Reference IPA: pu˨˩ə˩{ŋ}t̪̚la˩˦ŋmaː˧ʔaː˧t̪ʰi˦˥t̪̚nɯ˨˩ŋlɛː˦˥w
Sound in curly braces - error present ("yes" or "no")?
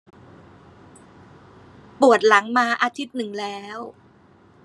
yes